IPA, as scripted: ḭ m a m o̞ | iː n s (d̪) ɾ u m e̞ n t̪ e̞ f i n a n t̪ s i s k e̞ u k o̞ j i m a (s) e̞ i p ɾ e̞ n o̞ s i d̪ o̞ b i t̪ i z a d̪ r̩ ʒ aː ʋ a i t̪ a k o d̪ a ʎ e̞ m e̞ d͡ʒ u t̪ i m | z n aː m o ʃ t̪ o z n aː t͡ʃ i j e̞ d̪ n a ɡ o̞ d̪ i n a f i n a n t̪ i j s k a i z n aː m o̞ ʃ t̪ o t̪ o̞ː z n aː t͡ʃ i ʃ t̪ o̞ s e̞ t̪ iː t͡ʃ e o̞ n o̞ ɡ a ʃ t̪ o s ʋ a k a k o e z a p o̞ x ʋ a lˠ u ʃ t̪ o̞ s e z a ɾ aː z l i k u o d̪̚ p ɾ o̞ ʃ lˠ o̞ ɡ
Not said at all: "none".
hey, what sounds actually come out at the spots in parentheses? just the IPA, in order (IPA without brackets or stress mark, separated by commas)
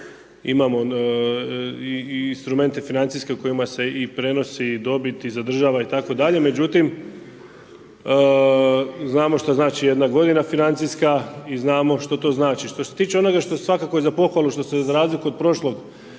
t̪, s